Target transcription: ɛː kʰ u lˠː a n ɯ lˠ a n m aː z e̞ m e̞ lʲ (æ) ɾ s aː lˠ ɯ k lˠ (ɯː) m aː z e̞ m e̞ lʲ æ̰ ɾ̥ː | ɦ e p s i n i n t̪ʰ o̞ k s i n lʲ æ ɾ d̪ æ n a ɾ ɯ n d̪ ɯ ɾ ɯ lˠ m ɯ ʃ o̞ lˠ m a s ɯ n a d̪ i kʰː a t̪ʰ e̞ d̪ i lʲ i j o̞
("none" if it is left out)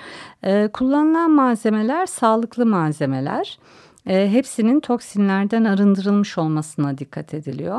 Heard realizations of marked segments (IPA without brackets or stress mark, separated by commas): æ, ɯ